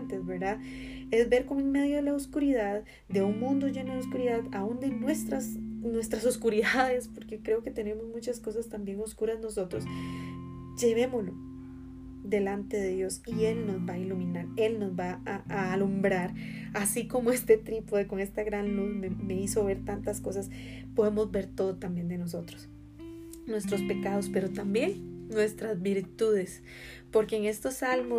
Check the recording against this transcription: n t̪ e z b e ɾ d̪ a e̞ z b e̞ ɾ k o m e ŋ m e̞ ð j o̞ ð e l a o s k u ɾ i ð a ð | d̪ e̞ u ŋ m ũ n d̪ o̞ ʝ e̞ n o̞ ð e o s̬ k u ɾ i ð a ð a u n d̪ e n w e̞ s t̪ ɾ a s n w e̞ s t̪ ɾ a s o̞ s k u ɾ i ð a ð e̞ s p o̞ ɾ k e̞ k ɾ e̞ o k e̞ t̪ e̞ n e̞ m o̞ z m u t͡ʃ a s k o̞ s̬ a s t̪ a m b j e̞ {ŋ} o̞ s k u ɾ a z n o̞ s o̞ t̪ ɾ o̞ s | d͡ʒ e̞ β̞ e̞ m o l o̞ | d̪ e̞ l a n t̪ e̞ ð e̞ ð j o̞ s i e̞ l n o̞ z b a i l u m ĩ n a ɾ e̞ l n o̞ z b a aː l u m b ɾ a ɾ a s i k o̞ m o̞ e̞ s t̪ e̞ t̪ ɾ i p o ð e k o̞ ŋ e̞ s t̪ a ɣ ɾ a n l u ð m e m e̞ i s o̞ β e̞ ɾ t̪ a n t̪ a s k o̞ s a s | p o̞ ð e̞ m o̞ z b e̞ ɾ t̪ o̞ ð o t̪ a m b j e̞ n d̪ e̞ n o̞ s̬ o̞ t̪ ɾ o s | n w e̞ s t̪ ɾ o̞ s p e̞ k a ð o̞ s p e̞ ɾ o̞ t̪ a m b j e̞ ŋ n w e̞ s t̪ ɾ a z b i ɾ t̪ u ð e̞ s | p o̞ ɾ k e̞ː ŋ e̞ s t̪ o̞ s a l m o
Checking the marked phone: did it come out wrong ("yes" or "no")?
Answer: no